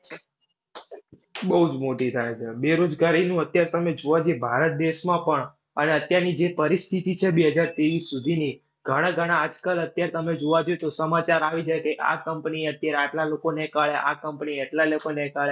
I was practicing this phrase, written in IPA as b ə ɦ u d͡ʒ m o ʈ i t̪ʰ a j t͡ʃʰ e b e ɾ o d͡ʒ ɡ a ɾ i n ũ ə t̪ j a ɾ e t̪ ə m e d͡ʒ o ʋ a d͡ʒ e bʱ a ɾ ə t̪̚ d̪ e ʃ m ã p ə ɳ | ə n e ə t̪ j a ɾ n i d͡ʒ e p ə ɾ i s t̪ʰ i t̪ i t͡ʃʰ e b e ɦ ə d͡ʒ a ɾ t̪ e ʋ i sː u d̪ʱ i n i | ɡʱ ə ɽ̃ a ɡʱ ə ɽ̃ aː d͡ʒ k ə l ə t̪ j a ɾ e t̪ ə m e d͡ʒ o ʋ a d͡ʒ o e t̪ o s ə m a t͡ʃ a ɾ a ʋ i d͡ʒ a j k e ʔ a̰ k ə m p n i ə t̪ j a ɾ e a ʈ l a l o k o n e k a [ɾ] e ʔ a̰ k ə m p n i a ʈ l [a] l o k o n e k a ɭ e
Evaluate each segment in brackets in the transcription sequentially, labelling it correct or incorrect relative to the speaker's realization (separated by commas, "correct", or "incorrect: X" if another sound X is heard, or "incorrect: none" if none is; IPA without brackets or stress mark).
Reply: incorrect: ɭ, correct